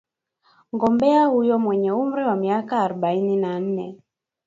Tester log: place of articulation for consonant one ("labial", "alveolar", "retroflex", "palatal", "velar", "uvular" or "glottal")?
velar